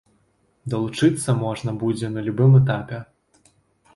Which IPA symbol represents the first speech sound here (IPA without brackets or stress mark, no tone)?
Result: d̪